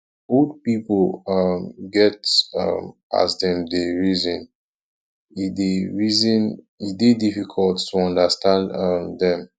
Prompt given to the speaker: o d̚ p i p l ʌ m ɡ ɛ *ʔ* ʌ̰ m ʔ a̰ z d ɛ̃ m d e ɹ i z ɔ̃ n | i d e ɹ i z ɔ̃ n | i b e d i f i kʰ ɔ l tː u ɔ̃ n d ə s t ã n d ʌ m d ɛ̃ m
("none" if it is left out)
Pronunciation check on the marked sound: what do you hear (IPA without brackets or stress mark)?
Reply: t